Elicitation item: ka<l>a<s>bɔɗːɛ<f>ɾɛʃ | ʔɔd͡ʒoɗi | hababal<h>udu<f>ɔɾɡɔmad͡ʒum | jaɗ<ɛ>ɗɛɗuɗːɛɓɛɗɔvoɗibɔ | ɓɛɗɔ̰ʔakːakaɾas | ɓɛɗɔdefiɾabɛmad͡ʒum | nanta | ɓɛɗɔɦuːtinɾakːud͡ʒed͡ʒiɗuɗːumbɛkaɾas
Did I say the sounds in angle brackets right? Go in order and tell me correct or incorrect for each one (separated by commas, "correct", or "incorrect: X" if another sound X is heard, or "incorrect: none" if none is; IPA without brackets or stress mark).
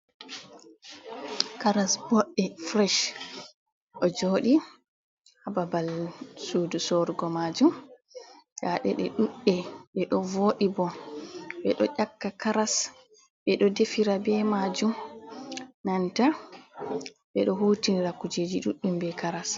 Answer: incorrect: ɾ, correct, correct, incorrect: s, incorrect: s, correct